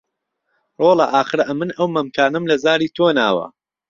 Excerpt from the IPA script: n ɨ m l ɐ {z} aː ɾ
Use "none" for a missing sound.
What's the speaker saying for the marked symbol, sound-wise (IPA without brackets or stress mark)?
z